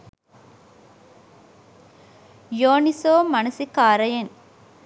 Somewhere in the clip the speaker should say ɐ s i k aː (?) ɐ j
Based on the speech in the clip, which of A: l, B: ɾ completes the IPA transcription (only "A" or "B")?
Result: B